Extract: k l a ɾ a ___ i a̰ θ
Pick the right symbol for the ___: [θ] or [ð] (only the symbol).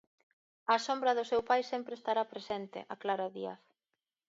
ð